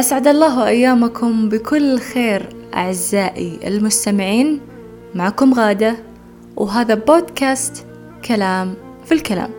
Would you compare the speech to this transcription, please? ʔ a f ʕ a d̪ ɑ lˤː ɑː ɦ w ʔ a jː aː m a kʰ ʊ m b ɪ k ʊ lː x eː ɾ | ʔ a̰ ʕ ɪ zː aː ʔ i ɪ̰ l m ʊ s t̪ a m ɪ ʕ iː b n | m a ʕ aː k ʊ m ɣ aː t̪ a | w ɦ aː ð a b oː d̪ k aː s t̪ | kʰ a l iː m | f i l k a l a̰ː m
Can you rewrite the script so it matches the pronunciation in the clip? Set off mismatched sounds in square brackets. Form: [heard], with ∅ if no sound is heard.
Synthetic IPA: ʔ a [s] ʕ a d̪ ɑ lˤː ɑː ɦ w ʔ a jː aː m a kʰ ʊ m b ɪ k ʊ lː x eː ɾ | ʔ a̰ ʕ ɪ zː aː ʔ i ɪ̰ l m ʊ s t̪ a m ɪ ʕ iː [∅] n | m a ʕ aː k ʊ m ɣ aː [d̪] a | w ɦ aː ð a b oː d̪ k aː s t̪ | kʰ a l [aː] m | f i l k a l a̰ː m